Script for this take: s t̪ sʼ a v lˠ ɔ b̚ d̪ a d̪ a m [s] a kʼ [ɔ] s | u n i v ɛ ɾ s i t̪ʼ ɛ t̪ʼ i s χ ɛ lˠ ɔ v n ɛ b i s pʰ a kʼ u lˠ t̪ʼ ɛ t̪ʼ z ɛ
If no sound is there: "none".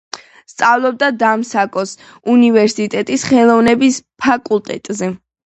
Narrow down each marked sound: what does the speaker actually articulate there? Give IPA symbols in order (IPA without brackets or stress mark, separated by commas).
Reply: s, ɔ